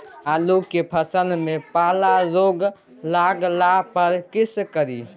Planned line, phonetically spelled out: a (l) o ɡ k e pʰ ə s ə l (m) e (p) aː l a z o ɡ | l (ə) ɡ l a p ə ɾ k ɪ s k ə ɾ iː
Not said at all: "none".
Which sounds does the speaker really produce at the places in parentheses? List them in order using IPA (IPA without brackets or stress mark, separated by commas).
l, m, p, a